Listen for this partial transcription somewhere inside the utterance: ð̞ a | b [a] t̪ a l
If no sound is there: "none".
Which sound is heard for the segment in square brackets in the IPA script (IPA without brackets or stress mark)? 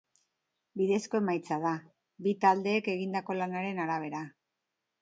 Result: i